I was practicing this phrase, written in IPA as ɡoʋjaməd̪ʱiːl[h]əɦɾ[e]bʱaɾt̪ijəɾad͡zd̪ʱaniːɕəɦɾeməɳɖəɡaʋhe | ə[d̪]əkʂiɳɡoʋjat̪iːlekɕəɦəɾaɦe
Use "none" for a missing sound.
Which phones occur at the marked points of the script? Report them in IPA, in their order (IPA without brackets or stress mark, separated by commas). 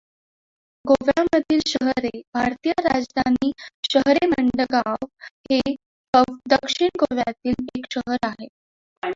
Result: ɕ, e, d̪